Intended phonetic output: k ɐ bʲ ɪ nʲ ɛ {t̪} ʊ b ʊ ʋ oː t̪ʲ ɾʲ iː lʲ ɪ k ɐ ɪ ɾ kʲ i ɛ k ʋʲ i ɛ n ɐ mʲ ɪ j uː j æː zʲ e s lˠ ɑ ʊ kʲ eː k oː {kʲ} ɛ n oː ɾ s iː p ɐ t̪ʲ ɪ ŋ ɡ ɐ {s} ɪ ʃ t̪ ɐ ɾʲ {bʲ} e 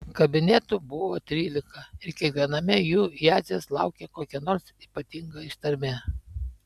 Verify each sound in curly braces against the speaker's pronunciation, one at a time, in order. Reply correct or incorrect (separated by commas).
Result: correct, correct, incorrect, incorrect